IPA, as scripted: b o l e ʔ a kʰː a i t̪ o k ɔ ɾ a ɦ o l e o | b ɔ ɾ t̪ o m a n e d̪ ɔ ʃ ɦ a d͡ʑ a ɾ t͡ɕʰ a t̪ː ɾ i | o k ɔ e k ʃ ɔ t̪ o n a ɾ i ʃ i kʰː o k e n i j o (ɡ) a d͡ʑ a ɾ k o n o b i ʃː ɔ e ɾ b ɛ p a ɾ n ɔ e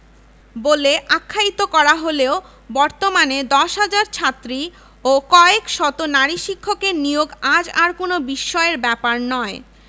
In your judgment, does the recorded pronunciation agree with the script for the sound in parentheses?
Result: yes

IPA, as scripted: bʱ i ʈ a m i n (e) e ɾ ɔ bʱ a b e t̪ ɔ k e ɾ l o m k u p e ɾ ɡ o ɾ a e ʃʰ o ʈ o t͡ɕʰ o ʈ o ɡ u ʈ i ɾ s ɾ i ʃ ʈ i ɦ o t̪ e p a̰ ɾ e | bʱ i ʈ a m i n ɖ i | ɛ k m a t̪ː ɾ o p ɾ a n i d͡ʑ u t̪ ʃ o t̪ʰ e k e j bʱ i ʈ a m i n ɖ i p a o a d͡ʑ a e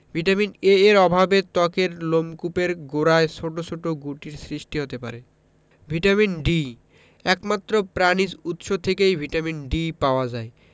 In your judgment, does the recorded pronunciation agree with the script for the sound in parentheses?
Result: yes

